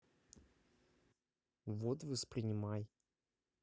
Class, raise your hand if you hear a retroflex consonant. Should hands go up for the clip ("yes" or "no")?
no